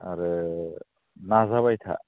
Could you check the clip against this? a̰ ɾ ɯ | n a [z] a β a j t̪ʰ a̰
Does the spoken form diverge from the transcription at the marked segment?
no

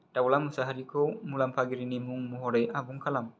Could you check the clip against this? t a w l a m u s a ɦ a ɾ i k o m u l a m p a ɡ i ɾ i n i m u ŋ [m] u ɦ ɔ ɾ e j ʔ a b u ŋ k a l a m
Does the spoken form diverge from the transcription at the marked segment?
no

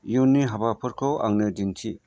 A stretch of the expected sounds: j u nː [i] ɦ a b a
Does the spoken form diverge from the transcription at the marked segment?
no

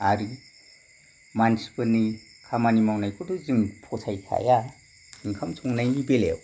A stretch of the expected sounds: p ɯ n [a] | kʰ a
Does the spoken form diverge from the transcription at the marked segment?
yes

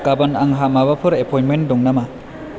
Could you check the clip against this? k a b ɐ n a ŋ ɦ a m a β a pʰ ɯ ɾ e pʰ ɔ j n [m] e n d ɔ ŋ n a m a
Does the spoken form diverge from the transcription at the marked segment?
no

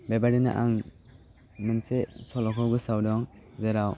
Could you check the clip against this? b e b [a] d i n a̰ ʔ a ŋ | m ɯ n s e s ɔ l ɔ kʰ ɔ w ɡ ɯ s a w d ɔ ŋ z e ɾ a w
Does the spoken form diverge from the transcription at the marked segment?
no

